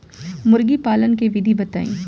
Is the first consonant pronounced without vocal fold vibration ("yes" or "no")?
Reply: no